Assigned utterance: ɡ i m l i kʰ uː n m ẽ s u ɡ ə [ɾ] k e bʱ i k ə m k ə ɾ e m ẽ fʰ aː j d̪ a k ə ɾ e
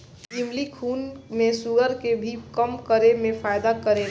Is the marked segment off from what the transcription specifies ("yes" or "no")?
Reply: no